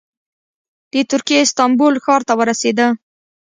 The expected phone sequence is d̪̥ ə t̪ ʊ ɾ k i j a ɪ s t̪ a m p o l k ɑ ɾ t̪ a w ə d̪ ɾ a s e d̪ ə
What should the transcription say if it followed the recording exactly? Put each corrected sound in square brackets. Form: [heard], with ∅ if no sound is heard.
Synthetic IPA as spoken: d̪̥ ə t̪ ʊ ɾ k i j [e] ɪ s t̪ [ɑ] m [b] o l [x] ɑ ɾ t̪ a w ə [∅] ɾ a s e d̪ ə